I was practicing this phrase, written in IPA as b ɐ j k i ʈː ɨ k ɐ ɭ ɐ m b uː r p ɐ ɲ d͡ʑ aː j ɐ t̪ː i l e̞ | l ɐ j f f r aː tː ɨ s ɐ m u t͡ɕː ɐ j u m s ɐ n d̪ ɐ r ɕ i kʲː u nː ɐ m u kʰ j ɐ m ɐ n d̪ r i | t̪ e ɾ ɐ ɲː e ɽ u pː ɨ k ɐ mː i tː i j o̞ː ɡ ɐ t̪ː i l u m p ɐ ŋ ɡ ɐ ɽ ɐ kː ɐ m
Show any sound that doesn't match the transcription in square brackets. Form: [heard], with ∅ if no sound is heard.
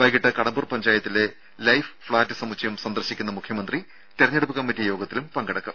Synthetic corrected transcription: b ɐ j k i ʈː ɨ k ɐ [ɽ] ɐ m b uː r p ɐ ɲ d͡ʑ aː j ɐ t̪ː i l e̞ | l ɐ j f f [ɭ] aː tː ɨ s ɐ m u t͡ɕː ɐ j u m s ɐ n d̪ ɐ r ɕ i kʲː u nː ɐ m u kʰ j ɐ m ɐ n d̪ r i | t̪ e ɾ ɐ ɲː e ɽ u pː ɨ k ɐ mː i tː i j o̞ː ɡ ɐ t̪ː i l u m p ɐ ŋ ɡ ɐ ɽ ɐ kː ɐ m